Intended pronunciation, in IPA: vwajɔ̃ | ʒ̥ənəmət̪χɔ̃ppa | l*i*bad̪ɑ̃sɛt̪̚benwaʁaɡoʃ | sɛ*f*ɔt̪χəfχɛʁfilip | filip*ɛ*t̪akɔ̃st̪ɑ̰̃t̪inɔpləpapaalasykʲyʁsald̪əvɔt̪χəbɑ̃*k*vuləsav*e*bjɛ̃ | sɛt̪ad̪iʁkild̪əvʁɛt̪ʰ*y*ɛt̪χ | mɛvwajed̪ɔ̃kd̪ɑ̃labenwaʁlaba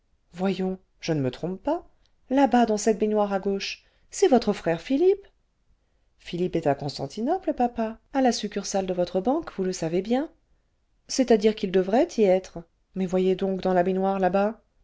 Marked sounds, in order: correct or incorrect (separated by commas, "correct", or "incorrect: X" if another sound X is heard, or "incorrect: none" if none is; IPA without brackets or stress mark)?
incorrect: a, incorrect: v, correct, correct, correct, incorrect: i